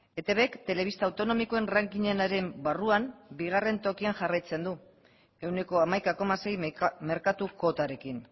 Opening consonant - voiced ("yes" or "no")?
no